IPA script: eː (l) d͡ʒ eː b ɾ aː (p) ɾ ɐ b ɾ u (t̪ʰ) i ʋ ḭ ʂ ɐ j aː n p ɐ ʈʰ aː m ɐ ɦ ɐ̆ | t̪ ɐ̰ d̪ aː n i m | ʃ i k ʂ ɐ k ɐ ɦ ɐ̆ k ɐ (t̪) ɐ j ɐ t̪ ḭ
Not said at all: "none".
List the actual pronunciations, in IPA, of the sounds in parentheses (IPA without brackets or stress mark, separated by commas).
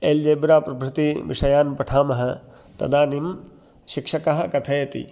l, p, t̪, t̪ʰ